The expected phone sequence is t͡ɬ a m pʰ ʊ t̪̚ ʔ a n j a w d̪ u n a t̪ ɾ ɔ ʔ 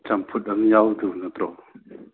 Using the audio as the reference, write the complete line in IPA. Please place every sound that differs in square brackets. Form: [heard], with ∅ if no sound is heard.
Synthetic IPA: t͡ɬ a m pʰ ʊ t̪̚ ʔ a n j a w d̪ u n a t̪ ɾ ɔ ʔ